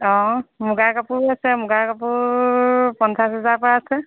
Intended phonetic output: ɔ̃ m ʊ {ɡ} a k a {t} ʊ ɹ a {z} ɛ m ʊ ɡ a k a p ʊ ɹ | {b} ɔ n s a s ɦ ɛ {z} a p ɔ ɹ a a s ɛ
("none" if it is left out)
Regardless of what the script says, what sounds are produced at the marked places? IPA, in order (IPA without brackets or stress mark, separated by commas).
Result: ɡ, p, s, p, z